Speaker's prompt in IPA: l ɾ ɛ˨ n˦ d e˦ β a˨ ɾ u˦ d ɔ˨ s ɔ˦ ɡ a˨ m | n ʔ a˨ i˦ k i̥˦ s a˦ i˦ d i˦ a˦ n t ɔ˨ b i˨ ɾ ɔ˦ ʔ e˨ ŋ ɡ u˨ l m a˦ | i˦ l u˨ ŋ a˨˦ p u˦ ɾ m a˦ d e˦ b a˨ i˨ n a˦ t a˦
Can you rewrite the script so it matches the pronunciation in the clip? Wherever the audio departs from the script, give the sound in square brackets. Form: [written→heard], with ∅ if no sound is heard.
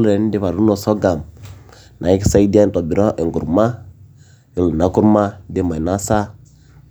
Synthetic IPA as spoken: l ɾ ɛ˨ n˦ d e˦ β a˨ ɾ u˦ [d→n] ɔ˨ s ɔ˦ ɡ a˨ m | n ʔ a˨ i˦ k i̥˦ s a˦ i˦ d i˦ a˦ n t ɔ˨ b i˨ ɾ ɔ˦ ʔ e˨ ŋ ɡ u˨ [l→ɾ] m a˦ | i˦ l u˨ [ŋ→n] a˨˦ [p→k] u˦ ɾ m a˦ d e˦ [b→m] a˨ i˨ n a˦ [t→s] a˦